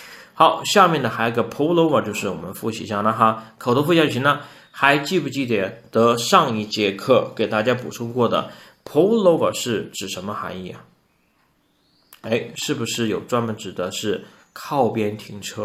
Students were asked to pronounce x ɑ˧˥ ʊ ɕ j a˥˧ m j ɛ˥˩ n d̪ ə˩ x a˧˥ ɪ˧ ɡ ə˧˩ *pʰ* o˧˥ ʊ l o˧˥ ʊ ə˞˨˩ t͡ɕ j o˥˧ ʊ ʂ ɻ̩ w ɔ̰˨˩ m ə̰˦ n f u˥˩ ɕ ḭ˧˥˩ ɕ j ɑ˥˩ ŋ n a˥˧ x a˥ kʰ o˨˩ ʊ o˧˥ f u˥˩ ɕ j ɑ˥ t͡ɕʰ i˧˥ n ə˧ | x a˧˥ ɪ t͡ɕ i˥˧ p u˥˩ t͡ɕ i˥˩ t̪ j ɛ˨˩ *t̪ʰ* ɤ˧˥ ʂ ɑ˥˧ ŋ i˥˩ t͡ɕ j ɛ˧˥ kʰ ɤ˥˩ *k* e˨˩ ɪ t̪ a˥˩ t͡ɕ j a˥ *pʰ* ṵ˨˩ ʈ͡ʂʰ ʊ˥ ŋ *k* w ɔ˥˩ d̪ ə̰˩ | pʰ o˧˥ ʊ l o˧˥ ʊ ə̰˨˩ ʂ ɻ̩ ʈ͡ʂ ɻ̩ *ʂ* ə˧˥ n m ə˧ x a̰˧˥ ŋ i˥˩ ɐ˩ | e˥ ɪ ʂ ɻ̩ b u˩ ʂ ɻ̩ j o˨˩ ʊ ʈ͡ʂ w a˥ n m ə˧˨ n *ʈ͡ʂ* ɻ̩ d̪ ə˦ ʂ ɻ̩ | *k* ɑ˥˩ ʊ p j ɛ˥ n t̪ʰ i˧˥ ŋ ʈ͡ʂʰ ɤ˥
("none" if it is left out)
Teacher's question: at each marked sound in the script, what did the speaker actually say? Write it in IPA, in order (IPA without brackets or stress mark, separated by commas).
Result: pʰ, t̪, k, p, k, ʂ, ʈ͡ʂ, kʰ